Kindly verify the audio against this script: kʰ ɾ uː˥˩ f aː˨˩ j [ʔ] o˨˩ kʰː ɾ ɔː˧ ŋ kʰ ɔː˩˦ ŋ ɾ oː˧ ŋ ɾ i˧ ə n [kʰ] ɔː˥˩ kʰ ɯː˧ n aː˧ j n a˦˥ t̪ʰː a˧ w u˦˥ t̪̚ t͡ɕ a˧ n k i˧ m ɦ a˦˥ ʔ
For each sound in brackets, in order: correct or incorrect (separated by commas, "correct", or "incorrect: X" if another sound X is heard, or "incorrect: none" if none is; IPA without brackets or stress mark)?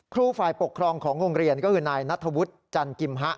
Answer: incorrect: p, incorrect: k